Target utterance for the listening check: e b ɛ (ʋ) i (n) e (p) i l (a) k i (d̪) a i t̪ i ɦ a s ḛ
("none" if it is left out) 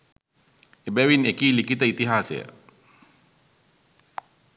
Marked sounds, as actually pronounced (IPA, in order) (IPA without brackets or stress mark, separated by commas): w, n, k, i, t̪